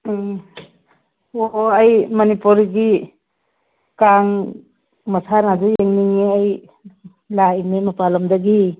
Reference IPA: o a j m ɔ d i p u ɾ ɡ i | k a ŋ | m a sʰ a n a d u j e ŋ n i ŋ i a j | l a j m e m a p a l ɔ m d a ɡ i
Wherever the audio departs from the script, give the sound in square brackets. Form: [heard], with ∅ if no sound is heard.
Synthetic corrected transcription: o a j m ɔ [n] i p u ɾ ɡ i | k a ŋ | m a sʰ a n a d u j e ŋ n i ŋ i a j | l a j m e m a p a l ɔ m d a ɡ i